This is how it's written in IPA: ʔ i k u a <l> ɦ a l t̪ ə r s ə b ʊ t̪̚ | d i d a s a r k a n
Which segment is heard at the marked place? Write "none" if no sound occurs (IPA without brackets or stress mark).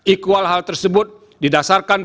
l